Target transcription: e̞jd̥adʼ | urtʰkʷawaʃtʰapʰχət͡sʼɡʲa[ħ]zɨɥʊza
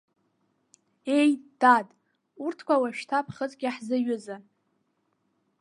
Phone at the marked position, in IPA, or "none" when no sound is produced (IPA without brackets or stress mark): ħ